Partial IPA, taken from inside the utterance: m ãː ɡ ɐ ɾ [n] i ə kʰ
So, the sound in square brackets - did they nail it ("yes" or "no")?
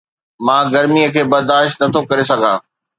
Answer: no